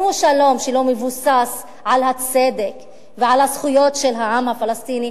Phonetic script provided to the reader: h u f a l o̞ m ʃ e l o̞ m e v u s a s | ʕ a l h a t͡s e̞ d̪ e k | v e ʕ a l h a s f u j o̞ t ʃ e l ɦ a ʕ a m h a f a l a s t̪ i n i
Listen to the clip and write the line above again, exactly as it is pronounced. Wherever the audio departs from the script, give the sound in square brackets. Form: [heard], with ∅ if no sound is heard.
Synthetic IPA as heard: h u [ʃ] a l o̞ m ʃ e l o̞ m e v u s a s | ʕ a l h a t͡s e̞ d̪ e k | v e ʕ a l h a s [χ] u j o̞ t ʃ e l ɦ a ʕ a m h a f a l a s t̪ i n i